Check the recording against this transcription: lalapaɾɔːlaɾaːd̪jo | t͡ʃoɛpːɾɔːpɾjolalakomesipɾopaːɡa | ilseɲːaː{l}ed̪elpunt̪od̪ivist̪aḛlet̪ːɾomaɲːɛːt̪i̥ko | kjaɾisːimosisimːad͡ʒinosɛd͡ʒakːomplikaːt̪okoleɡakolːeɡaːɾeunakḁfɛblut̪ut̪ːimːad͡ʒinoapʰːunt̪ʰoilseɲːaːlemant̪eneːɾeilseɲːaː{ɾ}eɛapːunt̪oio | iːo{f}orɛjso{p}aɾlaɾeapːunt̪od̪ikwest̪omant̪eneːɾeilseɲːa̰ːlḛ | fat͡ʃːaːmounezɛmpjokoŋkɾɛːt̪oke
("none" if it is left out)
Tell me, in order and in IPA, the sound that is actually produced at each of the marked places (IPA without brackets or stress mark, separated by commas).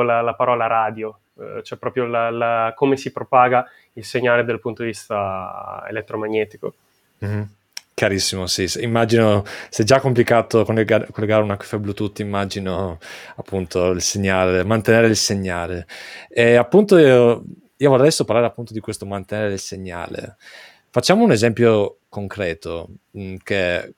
l, l, v, p